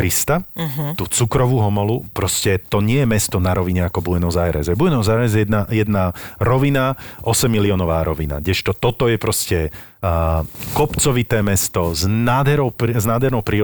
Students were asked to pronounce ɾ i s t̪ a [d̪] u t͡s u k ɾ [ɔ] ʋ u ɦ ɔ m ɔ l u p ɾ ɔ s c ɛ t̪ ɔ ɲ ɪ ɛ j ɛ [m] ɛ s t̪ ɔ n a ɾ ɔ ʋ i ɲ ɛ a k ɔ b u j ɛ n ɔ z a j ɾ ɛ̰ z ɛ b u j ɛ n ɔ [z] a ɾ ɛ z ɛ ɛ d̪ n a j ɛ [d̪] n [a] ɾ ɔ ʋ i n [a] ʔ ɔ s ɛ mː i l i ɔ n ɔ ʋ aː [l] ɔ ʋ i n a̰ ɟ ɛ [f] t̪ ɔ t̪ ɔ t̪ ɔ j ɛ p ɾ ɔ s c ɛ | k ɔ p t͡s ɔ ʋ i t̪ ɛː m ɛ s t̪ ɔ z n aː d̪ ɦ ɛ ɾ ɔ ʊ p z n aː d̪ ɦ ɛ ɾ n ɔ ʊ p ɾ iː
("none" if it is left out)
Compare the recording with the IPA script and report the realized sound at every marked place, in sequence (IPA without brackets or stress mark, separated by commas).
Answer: t̪, ɔ, m, z, d̪, a, a, ɾ, ʃ